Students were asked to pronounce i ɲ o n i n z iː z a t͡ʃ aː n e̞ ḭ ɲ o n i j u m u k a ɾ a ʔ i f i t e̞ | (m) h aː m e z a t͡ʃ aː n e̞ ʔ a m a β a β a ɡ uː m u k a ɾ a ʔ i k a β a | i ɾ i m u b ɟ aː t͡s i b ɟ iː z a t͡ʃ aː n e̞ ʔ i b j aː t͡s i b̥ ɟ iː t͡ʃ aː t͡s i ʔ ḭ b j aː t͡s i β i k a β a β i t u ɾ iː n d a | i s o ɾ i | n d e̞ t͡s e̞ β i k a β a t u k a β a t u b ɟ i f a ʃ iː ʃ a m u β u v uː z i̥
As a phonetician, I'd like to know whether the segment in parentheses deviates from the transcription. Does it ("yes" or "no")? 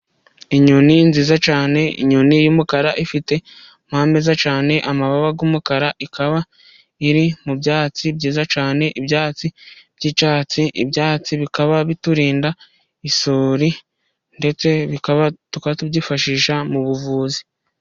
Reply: no